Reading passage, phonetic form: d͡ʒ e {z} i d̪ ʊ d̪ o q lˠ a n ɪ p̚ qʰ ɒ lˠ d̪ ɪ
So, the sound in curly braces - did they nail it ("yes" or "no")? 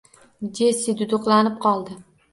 no